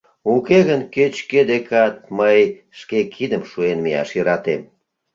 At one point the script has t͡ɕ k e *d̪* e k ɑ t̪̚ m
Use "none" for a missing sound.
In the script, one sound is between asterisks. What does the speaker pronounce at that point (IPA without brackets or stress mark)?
d̪